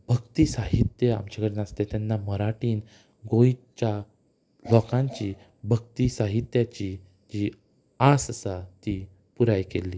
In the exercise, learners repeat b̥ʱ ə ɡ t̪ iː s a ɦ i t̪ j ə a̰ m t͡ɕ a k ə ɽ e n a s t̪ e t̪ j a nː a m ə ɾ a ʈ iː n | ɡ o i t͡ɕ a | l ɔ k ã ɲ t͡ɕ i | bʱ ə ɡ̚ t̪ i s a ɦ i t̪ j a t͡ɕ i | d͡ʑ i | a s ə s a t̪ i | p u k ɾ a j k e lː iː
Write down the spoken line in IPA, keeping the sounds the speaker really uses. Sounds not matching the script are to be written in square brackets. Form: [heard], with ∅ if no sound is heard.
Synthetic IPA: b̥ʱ ə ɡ t̪ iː s a ɦ i t̪ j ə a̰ m t͡ɕ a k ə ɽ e n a s t̪ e t̪ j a nː a m ə ɾ a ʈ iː n | ɡ o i t͡ɕ a | l ɔ k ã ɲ t͡ɕ i | bʱ ə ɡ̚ t̪ i s a ɦ i t̪ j a t͡ɕ i | d͡ʑ i | a s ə s a t̪ i | p u [∅] ɾ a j k e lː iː